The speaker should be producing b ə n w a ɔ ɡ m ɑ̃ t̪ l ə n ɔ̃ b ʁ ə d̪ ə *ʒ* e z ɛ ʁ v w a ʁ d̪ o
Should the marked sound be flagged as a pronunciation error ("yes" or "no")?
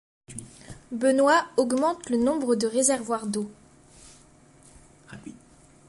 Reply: yes